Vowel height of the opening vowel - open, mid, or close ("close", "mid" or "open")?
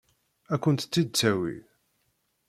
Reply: open